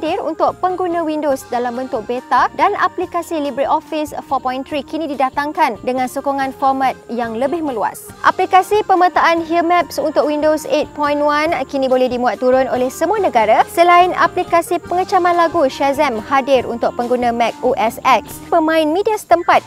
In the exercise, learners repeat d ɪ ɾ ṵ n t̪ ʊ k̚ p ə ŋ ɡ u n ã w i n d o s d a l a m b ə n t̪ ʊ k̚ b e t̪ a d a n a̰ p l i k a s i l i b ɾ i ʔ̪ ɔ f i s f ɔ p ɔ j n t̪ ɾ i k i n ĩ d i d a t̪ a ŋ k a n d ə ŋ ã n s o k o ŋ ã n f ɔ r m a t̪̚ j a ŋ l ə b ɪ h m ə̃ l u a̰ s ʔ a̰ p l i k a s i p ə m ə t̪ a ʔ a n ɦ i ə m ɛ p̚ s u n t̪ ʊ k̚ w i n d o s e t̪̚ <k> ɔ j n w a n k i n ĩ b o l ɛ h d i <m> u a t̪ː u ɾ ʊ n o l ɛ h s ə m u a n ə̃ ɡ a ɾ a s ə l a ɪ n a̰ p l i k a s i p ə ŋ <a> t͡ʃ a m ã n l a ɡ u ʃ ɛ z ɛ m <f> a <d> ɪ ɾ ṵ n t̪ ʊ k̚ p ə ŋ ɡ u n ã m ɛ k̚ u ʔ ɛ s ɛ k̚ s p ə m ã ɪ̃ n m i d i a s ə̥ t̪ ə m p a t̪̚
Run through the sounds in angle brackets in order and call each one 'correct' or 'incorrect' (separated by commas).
incorrect, correct, incorrect, incorrect, correct